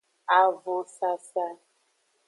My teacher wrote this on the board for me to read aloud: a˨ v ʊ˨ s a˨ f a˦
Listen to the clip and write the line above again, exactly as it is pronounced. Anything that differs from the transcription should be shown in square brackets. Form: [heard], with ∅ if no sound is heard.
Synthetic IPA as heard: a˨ v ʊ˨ s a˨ [s] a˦